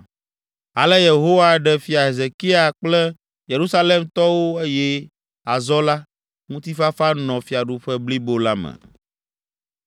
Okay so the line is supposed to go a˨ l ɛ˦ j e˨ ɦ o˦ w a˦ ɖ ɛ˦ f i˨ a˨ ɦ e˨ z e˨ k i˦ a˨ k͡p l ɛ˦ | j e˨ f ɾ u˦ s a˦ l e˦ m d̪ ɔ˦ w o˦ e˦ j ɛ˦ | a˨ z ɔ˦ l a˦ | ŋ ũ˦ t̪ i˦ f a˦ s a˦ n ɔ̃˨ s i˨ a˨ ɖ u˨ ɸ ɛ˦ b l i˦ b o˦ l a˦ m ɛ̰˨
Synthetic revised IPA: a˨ l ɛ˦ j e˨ ɦ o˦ w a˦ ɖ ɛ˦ f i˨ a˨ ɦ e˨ z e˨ k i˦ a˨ k͡p l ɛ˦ | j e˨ ɾ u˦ s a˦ l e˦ m t̪ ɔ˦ w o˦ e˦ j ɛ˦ | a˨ z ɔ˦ l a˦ | ŋ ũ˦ t̪ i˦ f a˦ f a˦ n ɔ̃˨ f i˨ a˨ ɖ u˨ ɸ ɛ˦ b l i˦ b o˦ l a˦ m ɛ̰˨